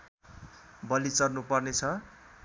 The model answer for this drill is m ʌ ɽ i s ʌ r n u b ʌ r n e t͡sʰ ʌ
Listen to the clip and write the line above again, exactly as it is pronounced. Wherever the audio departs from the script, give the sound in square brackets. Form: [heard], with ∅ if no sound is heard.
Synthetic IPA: [b] ʌ [l] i [t͡s] ʌ r n u [p] ʌ r n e t͡sʰ ʌ